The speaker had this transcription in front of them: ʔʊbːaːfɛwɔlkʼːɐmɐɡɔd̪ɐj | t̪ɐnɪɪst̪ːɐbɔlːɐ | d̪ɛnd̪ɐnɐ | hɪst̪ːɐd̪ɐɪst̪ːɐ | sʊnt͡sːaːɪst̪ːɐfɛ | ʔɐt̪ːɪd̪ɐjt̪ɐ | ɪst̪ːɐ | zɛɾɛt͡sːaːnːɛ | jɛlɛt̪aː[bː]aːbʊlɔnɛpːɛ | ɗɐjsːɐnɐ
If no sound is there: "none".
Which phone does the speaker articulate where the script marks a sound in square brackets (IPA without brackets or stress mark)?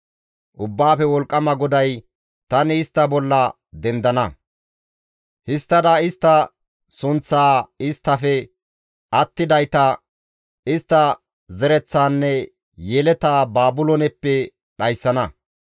b